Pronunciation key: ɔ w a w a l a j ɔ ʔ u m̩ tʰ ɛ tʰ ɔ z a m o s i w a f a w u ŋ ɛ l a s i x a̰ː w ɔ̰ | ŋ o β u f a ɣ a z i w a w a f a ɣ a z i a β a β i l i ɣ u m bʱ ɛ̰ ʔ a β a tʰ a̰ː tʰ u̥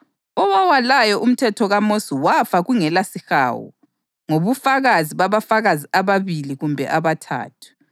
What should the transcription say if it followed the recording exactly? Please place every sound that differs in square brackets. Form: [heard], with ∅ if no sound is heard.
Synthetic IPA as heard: ɔ w a w a l a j ɔ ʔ u m̩ tʰ ɛ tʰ ɔ [ɣ] a m o s i w a f a [ɣ] u ŋ ɛ l a s i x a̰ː w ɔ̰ | ŋ o β u f a ɣ a z i [β] a [β] a f a ɣ a z i a β a β i l i ɣ u m bʱ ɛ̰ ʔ a β a tʰ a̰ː tʰ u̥